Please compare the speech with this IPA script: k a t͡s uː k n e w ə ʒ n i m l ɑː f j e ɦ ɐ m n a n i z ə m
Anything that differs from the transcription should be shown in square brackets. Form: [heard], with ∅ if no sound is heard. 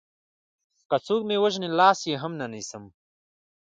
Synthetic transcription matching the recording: k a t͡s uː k [m] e w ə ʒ n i [∅] l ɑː [s] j e ɦ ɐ m n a n i [s] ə m

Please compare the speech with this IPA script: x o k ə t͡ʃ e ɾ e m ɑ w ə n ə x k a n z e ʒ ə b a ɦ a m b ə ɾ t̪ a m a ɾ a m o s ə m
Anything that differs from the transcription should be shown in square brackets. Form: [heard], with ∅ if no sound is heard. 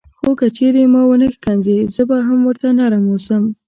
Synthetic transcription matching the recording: x o k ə t͡ʃ e ɾ e m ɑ w ə n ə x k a n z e [z] ə b a ɦ a m [w] ə ɾ t̪ a [n] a ɾ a m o s ə m

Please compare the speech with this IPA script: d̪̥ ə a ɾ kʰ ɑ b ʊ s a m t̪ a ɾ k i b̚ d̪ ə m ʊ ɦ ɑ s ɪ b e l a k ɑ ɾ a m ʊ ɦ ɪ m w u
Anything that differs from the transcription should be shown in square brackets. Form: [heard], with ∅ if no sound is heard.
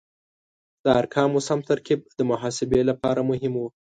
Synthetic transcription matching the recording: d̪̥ ə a ɾ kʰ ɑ [m] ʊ s a m t̪ a ɾ k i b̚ d̪ ə m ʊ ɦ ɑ s ɪ b e l a [p] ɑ ɾ a m ʊ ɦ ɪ m w u

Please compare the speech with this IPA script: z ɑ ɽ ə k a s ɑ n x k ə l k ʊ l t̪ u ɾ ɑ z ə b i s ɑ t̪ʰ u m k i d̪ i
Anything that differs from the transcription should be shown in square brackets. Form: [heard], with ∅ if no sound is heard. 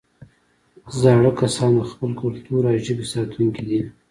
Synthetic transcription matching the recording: z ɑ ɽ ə k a s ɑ n x [p] ə l k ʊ l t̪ u ɾ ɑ [ʒ] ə b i s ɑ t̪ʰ u [ŋ] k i d̪ i

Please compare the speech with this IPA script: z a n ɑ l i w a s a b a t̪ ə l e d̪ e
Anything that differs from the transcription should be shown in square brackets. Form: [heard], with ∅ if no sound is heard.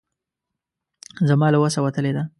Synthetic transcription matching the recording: z a [m] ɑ l [a] w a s a [w] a t̪ ə l e d̪ [a]

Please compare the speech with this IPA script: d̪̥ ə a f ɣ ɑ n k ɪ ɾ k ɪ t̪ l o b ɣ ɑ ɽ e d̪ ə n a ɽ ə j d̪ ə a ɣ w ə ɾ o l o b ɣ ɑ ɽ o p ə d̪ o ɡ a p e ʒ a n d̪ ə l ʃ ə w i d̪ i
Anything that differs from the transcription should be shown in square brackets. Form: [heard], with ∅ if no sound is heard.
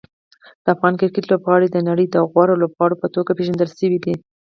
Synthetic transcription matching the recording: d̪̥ ə a f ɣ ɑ n k ɪ ɾ k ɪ t̪ l o b ɣ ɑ ɽ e d̪ ə n a ɽ ə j d̪ ə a ɣ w [ɑ] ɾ o l o b ɣ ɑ ɽ o p ə [t̪] o ɡ a p e ʒ a n d̪ ə l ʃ ə w i d̪ i

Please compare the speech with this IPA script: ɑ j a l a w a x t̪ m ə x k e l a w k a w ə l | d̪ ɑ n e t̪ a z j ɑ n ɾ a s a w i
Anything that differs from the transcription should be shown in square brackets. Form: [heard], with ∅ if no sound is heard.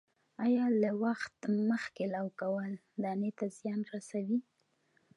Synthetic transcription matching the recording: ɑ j [ɑ] l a w a x t̪ m ə x k e l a w k a w ə l | d̪ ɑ n e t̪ a z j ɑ n ɾ a s a w i

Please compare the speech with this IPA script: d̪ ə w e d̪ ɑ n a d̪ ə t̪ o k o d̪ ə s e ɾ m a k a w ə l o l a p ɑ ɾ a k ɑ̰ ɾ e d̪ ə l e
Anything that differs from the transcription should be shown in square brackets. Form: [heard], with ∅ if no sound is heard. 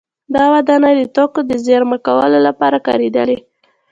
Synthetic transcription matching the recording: d̪ [ɑ] w [a] d̪ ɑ n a d̪ ə t̪ o k o d̪ ə [z] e ɾ m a k a w ə l o l a p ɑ ɾ a k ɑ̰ ɾ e d̪ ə l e

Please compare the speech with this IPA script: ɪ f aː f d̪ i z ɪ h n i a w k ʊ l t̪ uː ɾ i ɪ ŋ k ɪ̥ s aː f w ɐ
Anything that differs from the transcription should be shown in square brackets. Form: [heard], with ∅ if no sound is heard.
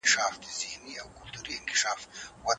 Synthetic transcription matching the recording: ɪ [ʃ] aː f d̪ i z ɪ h n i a w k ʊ l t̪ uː ɾ i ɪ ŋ k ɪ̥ [ʃ] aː f w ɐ

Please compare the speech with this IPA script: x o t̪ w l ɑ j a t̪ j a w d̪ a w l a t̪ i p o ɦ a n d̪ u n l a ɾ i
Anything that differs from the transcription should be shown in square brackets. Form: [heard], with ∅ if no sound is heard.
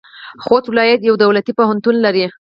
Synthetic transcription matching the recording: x o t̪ w l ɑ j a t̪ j a w d̪ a w l a t̪ i p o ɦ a n [t̪] u n l a ɾ i

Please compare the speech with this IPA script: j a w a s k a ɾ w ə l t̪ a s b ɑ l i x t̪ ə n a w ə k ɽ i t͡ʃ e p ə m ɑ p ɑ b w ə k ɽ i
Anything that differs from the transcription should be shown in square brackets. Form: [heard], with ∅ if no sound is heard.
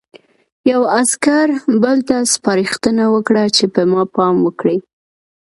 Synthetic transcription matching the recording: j a w a s k a ɾ [b] ə l t̪ a s [p] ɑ [ɾ] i x t̪ ə n a w ə k ɽ [a] t͡ʃ e p ə m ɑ p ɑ [m] w ə k ɽ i

